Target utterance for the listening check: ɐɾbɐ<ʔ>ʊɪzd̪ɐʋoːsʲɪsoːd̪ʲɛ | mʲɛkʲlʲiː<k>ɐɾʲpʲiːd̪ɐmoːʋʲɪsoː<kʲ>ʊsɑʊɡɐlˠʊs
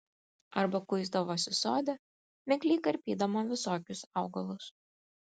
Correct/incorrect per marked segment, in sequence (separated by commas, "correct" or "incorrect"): incorrect, correct, correct